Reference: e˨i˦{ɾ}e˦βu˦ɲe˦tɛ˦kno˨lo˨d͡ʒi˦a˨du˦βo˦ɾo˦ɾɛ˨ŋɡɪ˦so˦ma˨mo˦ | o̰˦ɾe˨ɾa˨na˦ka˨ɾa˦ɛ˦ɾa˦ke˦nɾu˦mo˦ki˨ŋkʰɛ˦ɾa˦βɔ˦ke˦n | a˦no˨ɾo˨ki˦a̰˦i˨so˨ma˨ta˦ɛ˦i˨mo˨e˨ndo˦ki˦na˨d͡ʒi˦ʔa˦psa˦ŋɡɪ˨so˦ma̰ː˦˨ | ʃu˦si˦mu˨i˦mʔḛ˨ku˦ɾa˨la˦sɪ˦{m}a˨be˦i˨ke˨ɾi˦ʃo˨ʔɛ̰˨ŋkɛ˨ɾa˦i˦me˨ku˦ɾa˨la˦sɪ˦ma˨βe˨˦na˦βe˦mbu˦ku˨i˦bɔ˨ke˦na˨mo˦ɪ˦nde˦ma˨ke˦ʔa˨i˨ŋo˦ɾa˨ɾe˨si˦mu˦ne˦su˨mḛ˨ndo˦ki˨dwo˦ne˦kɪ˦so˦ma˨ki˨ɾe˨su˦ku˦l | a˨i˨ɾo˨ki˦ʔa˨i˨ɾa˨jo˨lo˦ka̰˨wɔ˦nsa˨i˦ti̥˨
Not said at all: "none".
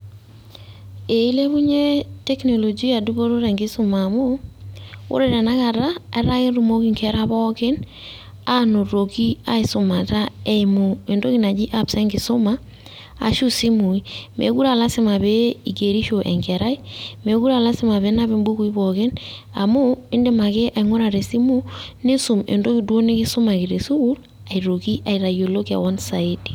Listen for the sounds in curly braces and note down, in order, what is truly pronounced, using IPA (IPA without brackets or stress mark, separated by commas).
l, m